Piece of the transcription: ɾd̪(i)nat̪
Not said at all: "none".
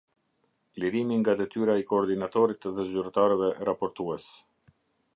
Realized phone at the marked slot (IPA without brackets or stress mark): i